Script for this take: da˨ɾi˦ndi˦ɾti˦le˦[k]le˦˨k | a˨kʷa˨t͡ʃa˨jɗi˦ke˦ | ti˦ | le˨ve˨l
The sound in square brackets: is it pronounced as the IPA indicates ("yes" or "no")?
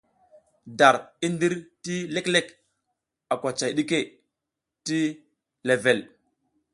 yes